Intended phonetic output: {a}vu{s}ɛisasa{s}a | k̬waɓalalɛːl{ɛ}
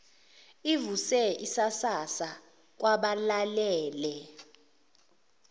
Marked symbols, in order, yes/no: no, yes, yes, yes

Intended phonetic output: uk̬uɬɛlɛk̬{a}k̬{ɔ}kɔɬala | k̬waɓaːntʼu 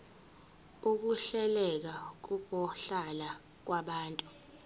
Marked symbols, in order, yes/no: yes, no

